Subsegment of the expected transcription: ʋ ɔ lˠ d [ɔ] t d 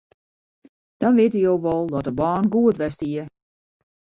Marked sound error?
no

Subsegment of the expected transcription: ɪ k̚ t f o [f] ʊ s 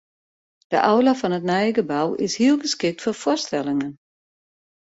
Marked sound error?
no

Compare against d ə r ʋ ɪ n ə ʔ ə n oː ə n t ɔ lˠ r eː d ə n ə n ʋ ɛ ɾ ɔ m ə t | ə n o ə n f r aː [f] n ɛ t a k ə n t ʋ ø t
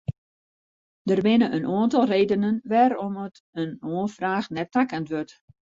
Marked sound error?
yes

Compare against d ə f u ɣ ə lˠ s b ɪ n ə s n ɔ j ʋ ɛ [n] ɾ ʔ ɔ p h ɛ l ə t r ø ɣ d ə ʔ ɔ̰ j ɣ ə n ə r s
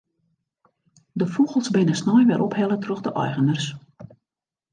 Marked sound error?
yes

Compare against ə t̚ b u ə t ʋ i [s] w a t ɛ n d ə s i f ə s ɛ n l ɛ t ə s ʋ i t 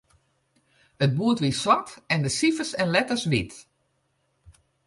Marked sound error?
no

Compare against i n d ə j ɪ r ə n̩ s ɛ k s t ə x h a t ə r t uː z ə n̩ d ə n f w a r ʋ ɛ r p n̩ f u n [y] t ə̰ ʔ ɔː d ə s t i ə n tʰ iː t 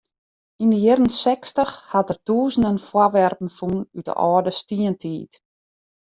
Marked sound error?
no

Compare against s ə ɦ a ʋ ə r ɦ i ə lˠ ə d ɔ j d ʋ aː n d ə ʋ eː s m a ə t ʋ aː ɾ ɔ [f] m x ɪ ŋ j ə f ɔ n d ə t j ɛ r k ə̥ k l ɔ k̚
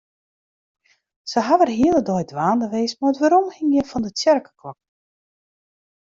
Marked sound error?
yes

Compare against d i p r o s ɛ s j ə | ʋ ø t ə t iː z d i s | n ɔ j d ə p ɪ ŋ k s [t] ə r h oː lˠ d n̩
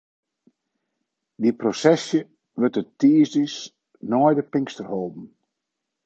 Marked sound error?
no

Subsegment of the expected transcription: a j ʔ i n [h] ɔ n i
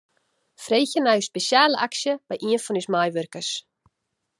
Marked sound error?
yes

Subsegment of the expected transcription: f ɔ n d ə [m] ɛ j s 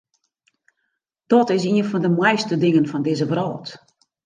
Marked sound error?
no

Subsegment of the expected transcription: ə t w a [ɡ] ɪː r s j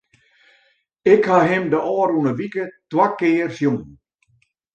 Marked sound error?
yes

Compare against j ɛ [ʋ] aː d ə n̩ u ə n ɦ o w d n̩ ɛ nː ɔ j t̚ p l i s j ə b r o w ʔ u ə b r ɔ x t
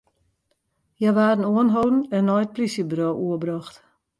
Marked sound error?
no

